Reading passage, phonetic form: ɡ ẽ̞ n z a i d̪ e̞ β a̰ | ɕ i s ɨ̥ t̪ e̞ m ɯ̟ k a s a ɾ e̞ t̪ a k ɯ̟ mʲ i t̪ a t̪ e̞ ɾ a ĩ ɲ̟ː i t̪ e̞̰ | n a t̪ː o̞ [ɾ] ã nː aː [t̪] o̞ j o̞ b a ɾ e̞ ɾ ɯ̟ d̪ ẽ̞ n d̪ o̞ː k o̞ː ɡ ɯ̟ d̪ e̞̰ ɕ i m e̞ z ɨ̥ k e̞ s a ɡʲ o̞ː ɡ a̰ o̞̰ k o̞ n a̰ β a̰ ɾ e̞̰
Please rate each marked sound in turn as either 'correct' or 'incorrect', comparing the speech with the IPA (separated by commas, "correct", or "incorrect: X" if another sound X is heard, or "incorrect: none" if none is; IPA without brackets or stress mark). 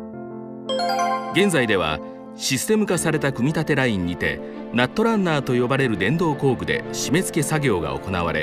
correct, correct